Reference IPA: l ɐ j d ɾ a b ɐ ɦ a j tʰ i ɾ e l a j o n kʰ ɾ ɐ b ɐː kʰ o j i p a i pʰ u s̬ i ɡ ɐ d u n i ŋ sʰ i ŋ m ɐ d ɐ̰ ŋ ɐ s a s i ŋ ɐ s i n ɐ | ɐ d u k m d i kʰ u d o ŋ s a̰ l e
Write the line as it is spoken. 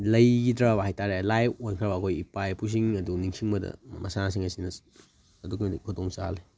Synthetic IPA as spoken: l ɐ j d ɾ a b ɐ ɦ a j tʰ a ɾ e l a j o n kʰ ɾ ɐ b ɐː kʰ o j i p a j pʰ u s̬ i ŋ ɐ d u n i ŋ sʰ i ŋ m ɐ d ɐ̰ m ɐ s a s i ŋ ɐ s i n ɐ | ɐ d u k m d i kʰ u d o ŋ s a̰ l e